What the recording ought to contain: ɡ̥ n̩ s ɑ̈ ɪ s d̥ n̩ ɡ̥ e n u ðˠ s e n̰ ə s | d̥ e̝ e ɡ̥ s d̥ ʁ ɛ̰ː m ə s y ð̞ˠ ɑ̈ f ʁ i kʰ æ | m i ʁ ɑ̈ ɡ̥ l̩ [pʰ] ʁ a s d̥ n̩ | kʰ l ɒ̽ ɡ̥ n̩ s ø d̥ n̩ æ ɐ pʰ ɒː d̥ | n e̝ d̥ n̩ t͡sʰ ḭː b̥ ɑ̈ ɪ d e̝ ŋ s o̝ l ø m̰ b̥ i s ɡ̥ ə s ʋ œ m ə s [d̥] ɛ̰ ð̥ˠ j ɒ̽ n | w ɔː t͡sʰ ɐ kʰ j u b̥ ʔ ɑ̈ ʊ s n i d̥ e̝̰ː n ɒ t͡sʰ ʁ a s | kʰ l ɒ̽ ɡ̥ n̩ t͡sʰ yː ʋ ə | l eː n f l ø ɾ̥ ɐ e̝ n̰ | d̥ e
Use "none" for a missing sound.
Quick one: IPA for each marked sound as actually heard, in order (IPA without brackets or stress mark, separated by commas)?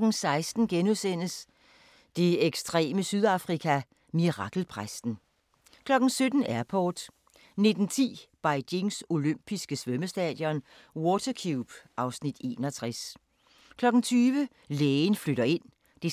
pʰ, d̥